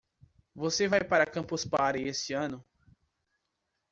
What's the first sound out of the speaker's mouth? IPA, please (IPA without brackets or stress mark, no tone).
v